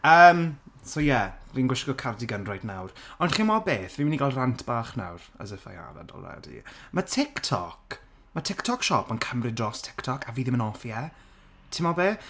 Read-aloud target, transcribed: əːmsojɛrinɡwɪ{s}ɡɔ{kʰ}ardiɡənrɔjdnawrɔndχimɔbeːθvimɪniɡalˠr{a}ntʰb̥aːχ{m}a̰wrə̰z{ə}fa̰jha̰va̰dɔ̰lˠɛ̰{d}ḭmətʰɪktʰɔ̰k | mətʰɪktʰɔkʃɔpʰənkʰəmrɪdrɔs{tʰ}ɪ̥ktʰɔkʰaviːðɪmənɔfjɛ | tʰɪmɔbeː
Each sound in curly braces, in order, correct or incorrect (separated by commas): incorrect, correct, correct, incorrect, correct, correct, correct